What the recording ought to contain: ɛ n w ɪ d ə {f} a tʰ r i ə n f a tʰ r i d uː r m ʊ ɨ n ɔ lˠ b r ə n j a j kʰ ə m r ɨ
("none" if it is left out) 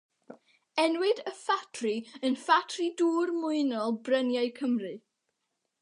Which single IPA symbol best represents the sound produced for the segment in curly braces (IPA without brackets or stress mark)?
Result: f